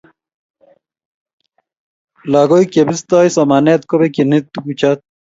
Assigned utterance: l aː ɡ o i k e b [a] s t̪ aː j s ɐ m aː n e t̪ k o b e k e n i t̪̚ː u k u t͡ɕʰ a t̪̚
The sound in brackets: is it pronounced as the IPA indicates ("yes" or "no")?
no